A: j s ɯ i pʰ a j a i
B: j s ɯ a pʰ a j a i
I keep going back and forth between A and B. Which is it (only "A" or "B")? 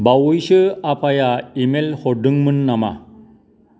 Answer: B